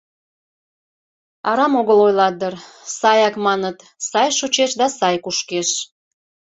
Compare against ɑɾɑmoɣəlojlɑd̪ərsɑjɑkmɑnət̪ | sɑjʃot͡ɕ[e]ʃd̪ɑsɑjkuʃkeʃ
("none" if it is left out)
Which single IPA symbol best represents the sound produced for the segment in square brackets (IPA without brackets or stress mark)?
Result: e